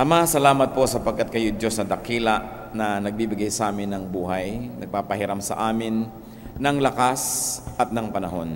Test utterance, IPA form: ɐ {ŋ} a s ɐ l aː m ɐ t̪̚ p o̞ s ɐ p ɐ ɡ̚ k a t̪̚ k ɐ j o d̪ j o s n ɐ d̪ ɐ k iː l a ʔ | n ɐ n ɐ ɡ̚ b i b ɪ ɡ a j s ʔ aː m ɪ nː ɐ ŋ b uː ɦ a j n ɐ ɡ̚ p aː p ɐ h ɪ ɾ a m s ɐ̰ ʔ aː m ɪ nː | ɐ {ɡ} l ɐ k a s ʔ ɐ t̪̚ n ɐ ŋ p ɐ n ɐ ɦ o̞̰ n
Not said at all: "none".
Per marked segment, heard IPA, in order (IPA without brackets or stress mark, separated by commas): m, ŋ